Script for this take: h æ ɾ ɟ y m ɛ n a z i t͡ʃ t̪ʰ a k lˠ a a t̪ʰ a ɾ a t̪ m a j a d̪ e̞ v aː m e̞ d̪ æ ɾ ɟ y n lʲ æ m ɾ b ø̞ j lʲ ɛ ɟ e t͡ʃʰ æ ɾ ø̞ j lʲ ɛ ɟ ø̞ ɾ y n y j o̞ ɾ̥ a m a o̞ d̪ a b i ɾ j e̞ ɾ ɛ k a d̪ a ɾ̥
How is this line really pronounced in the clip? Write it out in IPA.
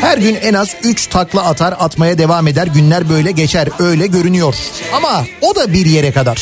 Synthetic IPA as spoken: h æ ɾ ɟ y n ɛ n a z y t͡ʃ t̪ʰ a k lˠ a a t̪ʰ a ɾ a t̪ m a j a d̪ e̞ v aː m e̞ d̪ æ ɾ ɟ y n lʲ æ ɾ b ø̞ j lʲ ɛ ɟ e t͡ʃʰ æ ɾ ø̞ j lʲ ɛ ɟ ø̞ ɾ y n y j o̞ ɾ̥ a m a o̞ d̪ a b i ɾ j e̞ ɾ ɛ k a d̪ a ɾ̥